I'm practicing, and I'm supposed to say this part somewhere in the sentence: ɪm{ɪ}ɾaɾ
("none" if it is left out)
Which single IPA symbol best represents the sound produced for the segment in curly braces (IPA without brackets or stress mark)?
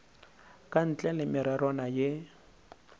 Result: ɪ